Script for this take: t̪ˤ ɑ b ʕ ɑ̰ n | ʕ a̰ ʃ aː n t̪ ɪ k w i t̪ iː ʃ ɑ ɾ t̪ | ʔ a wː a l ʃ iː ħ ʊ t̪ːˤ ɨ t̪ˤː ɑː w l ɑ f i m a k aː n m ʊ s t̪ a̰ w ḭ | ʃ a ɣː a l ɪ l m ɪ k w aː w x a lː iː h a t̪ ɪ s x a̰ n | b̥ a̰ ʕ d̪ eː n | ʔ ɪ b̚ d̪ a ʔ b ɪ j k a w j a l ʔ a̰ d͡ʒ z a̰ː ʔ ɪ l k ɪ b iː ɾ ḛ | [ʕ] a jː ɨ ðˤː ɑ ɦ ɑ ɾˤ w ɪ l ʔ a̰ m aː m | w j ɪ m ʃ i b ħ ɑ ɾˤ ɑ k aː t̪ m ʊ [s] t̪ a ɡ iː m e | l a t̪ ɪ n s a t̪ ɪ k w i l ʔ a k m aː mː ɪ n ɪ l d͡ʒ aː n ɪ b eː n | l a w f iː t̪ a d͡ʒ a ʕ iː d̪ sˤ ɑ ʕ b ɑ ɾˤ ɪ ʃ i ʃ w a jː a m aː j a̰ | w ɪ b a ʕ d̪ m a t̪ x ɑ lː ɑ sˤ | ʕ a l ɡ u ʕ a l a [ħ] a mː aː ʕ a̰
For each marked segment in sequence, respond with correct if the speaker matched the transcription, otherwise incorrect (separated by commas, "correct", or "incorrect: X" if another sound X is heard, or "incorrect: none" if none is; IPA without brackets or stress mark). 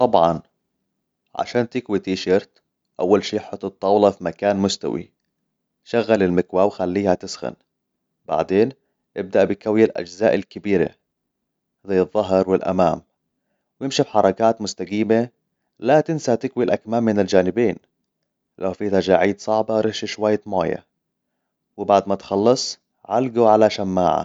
incorrect: z, correct, incorrect: ʃ